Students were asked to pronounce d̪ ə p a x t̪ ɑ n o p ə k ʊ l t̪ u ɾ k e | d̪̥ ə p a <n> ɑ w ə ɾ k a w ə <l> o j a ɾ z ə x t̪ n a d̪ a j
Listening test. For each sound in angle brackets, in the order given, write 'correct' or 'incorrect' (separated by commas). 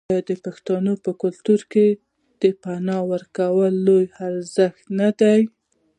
correct, incorrect